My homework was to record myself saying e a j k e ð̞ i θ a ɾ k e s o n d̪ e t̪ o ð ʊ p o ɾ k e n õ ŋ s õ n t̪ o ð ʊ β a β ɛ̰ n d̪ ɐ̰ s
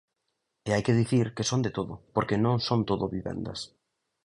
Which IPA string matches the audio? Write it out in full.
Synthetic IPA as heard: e a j k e ð̞ i θ i ɾ k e s o n d̪ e t̪ o ð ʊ p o ɾ k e n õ ŋ s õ n t̪ o ð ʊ β i β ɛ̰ n d̪ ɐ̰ s